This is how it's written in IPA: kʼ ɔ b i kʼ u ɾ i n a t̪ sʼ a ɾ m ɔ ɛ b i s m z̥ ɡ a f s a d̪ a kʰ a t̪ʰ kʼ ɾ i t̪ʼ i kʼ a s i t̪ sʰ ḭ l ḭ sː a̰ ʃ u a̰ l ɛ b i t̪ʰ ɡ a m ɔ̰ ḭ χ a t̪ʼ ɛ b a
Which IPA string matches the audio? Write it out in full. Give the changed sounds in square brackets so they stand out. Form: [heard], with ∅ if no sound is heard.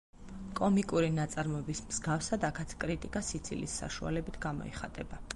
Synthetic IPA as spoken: kʼ ɔ [m] i kʼ u ɾ i n a t̪ sʼ a ɾ m ɔ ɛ b i s m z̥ ɡ a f s a d̪ a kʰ a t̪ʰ kʼ ɾ i t̪ʼ i kʼ a s i t̪ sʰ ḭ l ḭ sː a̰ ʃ u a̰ l ɛ b i t̪ʰ ɡ a m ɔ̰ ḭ χ a t̪ʼ ɛ b a